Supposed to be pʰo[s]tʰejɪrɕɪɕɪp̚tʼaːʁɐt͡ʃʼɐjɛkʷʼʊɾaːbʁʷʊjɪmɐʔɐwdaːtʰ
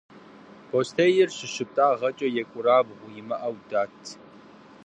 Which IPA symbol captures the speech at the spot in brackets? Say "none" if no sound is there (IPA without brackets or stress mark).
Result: s